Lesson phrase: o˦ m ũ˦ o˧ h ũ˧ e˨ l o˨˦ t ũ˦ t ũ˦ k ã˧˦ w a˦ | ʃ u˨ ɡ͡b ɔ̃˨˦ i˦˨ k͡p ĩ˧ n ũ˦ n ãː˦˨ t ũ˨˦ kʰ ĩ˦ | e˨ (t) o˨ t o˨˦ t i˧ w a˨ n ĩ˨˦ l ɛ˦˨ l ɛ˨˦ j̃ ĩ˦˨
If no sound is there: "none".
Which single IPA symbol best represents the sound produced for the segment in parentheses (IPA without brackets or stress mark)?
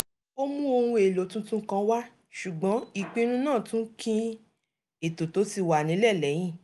t